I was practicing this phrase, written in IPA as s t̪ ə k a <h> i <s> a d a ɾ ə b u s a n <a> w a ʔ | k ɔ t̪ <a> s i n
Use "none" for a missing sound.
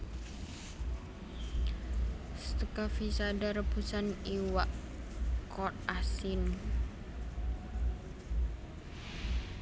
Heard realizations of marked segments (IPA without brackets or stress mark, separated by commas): f, s, i, a